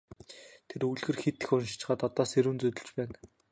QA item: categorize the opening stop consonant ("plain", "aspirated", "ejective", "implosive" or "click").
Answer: aspirated